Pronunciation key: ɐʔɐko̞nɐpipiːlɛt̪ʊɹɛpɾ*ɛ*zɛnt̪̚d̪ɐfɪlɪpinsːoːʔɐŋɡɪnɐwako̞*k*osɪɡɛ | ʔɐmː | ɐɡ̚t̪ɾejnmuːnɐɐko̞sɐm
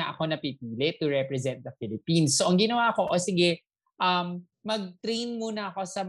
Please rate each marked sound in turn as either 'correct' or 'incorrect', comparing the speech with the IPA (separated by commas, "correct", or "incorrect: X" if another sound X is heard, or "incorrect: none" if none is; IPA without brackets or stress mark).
correct, incorrect: ʔ